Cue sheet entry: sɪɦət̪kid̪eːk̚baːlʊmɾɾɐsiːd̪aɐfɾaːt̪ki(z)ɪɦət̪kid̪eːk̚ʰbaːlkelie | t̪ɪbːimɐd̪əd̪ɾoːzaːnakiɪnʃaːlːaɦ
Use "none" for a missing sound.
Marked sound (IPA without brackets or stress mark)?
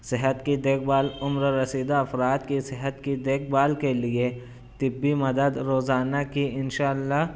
s